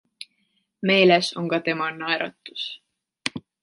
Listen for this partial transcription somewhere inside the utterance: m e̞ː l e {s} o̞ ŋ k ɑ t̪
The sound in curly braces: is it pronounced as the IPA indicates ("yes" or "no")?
yes